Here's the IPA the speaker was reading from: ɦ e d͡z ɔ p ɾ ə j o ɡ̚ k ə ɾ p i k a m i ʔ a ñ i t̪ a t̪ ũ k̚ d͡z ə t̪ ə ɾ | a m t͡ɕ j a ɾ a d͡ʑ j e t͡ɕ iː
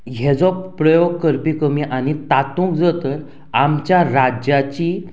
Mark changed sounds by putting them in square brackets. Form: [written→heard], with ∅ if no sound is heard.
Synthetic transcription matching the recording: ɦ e d͡z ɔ p ɾ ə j o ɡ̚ k ə ɾ p i k [a→ə] m i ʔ a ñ i t̪ a t̪ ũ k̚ d͡z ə t̪ ə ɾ | a m t͡ɕ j a ɾ a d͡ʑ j [e→a] t͡ɕ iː

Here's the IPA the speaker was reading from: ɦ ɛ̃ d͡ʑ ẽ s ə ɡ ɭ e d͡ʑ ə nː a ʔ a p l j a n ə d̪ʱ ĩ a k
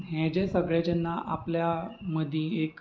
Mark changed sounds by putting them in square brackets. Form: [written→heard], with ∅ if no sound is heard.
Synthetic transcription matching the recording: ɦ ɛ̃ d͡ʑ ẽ s ə ɡ ɭ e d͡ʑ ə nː a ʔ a p l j a [n→m] ə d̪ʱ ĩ [a→e] k

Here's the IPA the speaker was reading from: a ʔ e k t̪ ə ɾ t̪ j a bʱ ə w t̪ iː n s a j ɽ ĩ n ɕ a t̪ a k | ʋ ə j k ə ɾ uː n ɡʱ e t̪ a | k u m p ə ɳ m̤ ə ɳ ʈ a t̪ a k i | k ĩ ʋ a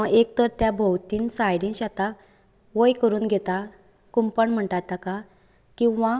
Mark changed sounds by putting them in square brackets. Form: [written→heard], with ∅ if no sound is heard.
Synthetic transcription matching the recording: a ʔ e k t̪ ə ɾ t̪ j a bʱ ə w t̪ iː n s a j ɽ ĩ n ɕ a t̪ a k | ʋ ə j k ə ɾ uː n ɡʱ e t̪ a | k u m p ə ɳ m̤ ə ɳ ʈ a t̪ a k [i→a] | k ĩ ʋ a

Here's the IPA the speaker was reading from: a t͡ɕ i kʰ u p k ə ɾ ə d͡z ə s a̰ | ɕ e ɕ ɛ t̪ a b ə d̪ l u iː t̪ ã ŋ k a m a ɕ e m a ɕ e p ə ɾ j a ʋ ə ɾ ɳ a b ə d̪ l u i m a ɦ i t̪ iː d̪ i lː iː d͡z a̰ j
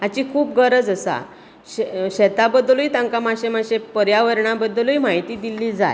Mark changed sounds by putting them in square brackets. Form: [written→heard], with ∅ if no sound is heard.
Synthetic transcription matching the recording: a t͡ɕ i kʰ [u→uː] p [k→ɡ] ə ɾ ə d͡z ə s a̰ | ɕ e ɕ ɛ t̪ a b ə d̪ l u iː t̪ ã ŋ k a m a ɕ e m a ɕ e p ə ɾ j a ʋ ə ɾ ɳ a b ə d̪ l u i m a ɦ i t̪ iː d̪ i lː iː d͡z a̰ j

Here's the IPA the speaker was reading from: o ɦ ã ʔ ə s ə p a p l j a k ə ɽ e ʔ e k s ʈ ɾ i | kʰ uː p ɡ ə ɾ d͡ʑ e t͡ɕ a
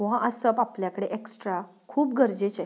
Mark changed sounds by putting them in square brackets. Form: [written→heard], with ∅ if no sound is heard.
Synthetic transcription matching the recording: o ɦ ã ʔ ə s ə p a p l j a k ə ɽ e ʔ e k s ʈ ɾ [i→a] | kʰ uː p ɡ ə ɾ d͡ʑ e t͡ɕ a

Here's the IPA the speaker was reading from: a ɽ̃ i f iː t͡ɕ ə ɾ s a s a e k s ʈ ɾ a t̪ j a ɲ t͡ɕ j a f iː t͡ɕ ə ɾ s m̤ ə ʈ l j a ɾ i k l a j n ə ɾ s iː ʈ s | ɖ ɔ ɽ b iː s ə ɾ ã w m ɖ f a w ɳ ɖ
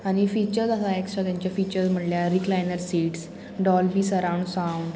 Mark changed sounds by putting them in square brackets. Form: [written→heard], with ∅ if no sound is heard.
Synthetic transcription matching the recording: a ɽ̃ i f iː t͡ɕ ə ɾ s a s a e k s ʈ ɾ a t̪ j a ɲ t͡ɕ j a f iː t͡ɕ ə ɾ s m̤ ə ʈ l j a ɾ i k l a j n ə ɾ s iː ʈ s | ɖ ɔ [ɽ→l] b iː s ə ɾ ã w [m→ɳ] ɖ [f→s] a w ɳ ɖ

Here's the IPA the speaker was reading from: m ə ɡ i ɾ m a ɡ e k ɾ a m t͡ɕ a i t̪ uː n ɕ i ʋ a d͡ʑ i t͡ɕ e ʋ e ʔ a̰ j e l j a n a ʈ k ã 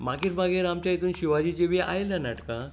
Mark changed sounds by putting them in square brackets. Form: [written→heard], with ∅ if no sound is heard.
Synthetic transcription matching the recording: m [ə→a] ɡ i ɾ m a ɡ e [k→∅] ɾ a m t͡ɕ a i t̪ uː n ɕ i ʋ a d͡ʑ i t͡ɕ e ʋ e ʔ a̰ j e l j a n a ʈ k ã

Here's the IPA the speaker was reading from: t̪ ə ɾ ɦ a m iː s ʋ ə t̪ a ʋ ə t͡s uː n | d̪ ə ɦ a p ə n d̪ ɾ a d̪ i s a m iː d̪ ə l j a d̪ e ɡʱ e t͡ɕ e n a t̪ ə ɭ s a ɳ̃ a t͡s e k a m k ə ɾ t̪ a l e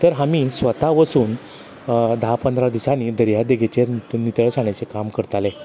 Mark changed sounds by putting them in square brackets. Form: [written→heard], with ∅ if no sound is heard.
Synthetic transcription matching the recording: t̪ ə ɾ ɦ a m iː s ʋ ə t̪ a ʋ ə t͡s uː n | d̪ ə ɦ a p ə n d̪ ɾ a d̪ i s a [m→n] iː d̪ ə [l→ɾ] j a d̪ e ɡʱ e t͡ɕ e n [a→i] t̪ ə ɭ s a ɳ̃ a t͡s e k a m k ə ɾ t̪ a l e

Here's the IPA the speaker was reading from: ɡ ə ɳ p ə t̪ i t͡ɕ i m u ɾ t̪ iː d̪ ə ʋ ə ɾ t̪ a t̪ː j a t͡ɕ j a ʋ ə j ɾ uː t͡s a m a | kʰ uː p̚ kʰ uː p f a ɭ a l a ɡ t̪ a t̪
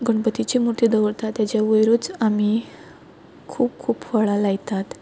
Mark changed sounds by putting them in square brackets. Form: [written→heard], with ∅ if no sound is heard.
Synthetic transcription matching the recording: ɡ ə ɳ p ə t̪ i t͡ɕ i m u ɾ t̪ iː d̪ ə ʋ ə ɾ t̪ a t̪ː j a t͡ɕ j a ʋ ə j ɾ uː t͡s a m [a→i] | kʰ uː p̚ kʰ uː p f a ɭ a l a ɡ t̪ a t̪

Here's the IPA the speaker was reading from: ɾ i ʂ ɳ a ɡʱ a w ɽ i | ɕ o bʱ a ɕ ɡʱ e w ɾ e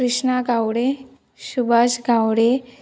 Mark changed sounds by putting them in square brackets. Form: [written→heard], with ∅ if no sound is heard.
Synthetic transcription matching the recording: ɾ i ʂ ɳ a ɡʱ a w ɽ [i→e] | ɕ [o→u] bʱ a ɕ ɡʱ [e→a] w [ɾ→ɽ] e

